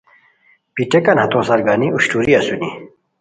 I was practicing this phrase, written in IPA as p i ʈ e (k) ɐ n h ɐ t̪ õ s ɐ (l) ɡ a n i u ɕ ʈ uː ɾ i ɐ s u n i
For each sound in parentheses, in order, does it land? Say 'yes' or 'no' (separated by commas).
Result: yes, no